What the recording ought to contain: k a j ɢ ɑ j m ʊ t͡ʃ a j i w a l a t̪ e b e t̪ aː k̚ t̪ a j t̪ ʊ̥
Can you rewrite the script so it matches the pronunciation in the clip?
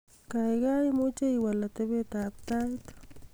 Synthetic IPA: k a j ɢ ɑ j m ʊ t͡ʃ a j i w a l a t̪ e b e t̪ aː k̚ t̪ a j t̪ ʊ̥

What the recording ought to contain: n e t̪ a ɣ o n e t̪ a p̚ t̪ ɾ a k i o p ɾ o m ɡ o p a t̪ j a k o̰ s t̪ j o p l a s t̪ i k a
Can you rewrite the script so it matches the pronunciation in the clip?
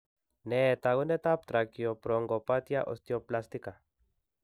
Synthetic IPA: n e t̪ a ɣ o n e t̪ a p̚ t̪ ɾ a k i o p ɾ o ŋ ɡ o p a t̪ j a ʔ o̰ s t̪ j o p l a s t̪ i k a

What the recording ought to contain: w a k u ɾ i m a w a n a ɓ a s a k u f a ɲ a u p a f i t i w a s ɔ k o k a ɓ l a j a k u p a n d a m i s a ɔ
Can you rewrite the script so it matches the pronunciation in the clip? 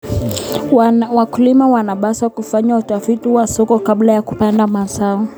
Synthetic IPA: w a k u l i m a w a n a ɓ a s a k u f a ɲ a u t a f i t i w a s ɔ k ɔ k a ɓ l a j a k u p a n d a m a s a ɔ

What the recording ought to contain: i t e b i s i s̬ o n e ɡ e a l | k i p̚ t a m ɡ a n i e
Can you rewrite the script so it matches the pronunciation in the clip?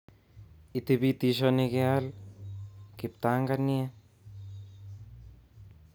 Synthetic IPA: i t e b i t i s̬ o n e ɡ e a l | k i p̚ t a ŋ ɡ a n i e

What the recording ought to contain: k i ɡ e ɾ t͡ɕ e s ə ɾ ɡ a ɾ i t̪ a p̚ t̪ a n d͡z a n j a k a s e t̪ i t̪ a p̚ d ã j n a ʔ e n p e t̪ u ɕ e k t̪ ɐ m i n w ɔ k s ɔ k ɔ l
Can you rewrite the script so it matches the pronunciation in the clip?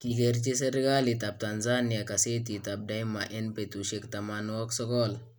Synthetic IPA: k i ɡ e ɾ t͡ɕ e s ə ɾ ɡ a l i t̪ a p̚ t̪ a n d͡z a n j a k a s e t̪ i t̪ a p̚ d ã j m a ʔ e n p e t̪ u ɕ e k t̪ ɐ m a n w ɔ k s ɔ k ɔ l

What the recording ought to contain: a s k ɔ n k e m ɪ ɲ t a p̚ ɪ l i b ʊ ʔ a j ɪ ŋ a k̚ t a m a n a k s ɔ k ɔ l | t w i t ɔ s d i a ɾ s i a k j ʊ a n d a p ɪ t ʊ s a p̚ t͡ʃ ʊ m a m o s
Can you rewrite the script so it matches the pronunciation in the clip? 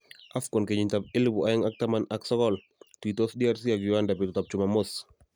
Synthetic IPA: a f k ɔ n k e ɲ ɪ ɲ t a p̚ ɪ l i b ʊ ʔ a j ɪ ŋ a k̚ t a m a n a k s ɔ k ɔ l | t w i t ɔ s d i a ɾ s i a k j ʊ a n d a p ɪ t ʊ t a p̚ t͡ʃ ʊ m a m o s

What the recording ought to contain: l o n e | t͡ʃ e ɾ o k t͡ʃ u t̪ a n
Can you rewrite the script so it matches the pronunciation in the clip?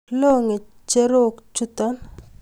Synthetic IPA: l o ŋ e | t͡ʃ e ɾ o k t͡ʃ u t̪ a n

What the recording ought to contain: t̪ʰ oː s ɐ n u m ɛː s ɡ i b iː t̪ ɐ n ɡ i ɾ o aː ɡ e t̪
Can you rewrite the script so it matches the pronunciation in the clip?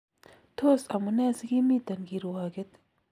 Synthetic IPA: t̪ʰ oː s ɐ m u n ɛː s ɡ i m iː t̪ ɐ n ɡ i ɾ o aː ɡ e t̪

